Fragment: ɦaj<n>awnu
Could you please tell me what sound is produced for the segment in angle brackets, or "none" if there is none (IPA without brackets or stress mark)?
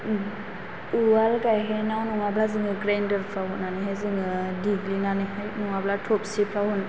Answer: n